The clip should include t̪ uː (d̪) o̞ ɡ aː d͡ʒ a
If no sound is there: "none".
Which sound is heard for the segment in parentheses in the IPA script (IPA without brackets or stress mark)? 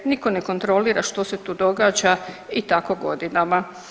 d̪